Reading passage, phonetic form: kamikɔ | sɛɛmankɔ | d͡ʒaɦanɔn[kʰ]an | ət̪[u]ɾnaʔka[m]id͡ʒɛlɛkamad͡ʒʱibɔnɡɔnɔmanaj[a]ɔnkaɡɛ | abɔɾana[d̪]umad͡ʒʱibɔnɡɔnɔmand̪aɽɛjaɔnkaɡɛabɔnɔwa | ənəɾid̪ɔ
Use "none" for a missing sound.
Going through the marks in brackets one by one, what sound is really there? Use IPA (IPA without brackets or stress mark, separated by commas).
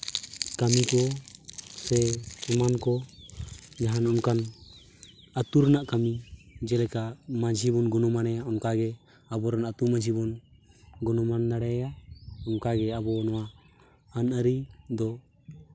k, u, m, a, t̪